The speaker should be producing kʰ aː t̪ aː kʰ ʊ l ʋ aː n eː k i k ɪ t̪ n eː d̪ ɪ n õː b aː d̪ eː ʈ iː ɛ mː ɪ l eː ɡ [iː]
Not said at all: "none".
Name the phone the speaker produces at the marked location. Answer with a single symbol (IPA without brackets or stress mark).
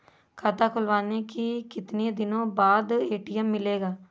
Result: aː